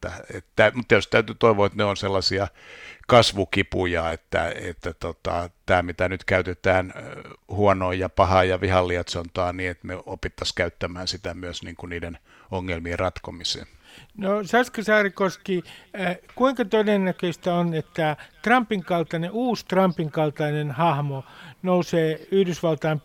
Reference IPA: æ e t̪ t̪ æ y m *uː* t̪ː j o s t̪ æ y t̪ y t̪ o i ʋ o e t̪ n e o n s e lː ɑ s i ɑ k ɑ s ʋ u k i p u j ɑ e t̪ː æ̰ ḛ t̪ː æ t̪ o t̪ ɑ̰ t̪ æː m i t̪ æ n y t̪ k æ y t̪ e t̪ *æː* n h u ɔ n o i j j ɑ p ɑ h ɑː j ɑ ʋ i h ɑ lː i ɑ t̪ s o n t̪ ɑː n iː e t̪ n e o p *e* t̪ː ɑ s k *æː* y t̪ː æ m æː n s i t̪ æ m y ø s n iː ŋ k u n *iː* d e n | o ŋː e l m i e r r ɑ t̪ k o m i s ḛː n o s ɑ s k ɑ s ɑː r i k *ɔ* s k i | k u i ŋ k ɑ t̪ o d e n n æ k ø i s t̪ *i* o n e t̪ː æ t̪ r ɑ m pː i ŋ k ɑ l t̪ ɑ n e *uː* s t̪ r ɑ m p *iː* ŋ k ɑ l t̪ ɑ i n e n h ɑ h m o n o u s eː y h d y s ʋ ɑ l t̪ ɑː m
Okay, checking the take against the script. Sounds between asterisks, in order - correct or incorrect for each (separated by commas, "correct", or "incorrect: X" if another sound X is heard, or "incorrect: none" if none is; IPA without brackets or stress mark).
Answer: incorrect: u, correct, incorrect: i, incorrect: æ, correct, incorrect: o, incorrect: æ, correct, incorrect: i